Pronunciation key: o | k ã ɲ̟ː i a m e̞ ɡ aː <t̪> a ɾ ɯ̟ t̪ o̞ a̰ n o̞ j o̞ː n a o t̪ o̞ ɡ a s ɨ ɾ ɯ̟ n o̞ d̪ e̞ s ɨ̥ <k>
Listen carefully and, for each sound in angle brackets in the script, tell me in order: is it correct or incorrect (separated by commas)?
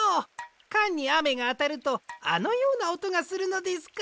correct, correct